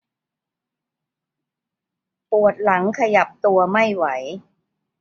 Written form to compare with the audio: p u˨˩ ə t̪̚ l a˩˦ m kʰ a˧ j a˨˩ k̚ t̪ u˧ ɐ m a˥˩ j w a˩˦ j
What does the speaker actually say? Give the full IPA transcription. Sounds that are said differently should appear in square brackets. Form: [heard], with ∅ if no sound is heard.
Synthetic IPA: p u˨˩ ə t̪̚ l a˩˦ [ŋ] kʰ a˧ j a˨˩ [p̚] t̪ u˧ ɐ m a˥˩ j w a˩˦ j